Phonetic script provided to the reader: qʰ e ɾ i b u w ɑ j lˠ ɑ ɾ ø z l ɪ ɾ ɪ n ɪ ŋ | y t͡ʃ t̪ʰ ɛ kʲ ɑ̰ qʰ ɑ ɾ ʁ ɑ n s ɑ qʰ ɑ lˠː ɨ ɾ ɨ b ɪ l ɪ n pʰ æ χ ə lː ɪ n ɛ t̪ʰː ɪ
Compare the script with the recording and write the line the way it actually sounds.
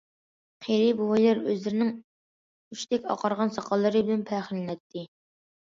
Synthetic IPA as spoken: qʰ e ɾ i b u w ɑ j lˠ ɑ ɾ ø z l ɪ ɾ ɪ n ɪ ŋ | y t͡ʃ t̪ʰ ɛ kʲ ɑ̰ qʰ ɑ ɾ ʁ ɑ n s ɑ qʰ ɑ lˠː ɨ ɾ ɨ b ɪ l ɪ n pʰ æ χ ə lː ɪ n ɛ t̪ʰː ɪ